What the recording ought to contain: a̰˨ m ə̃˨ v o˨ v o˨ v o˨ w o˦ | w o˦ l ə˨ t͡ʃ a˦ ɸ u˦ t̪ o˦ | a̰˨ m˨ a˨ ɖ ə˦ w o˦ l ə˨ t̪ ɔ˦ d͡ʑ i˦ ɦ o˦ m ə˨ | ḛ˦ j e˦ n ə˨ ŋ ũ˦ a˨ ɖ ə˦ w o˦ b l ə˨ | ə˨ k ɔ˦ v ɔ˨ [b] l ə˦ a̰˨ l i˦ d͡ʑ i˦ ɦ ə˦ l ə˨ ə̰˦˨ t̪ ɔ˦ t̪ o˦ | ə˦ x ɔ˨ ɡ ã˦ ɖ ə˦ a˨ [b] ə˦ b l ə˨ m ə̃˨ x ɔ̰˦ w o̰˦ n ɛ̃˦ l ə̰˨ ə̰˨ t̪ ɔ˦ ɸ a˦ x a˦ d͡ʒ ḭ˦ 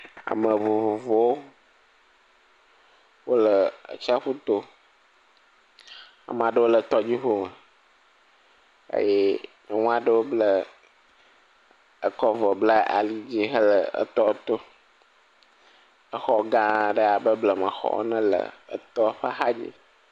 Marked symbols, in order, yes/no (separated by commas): yes, yes